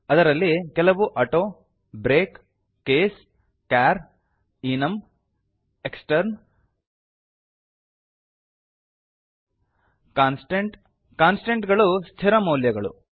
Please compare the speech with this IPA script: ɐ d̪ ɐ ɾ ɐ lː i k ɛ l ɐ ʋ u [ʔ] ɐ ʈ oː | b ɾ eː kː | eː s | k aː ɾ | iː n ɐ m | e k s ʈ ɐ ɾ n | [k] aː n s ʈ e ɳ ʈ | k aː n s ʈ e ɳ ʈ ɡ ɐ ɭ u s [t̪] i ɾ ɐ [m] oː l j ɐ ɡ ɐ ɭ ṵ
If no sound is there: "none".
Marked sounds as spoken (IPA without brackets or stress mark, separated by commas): ʔ, k, t̪ʰ, m